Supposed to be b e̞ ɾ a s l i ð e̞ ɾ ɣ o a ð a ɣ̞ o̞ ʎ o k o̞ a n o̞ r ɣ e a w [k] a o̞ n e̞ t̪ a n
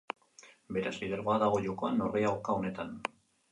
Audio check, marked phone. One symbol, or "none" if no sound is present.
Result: k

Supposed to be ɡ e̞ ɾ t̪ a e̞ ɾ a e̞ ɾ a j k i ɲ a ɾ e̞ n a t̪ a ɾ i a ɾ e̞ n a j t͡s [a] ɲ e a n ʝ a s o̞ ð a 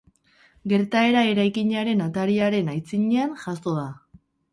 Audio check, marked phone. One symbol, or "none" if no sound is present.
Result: i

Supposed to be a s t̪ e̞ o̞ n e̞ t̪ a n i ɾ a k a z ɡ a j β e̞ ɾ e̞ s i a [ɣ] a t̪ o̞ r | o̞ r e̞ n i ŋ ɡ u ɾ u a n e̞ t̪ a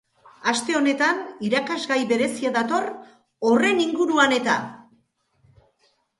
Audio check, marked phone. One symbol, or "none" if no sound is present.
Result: ð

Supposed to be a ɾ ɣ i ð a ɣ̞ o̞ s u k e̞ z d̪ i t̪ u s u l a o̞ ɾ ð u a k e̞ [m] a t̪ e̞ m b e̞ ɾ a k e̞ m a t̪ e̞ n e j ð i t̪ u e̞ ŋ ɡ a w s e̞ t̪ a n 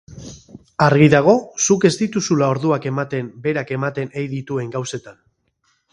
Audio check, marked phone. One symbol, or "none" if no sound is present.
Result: m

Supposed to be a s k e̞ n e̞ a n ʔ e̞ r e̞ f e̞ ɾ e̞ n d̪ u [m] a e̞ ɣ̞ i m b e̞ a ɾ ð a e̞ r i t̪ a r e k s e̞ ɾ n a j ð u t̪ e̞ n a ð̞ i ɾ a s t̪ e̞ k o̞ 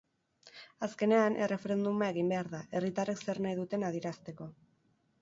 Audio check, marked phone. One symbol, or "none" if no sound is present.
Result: m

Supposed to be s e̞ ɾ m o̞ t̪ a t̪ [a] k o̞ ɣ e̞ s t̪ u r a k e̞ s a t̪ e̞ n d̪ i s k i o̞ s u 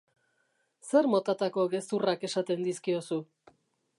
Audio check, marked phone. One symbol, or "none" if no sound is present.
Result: a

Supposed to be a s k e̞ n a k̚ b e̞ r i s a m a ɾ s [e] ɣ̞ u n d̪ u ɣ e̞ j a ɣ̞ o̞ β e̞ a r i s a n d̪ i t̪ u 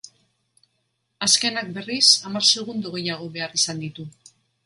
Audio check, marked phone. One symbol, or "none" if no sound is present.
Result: e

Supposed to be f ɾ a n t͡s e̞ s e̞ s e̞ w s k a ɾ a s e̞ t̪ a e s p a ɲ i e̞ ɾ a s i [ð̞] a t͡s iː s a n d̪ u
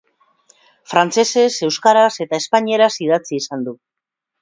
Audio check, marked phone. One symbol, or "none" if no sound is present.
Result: ð̞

